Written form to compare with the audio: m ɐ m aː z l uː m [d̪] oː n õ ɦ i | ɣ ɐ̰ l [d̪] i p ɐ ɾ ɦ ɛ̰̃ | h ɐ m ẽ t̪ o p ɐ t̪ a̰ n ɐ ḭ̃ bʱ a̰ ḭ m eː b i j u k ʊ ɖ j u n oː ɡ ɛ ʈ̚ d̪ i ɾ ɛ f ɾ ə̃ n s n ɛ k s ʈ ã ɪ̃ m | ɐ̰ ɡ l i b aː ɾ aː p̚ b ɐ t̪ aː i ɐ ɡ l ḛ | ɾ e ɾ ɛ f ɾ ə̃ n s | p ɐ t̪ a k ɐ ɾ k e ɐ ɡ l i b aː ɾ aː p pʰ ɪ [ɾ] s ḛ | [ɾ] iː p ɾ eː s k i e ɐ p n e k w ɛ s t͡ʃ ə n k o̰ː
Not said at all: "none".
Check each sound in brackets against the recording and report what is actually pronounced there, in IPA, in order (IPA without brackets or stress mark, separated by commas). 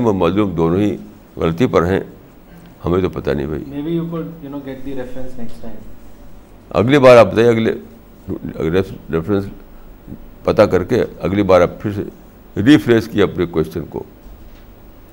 d̪, t̪, ɾ, ɾ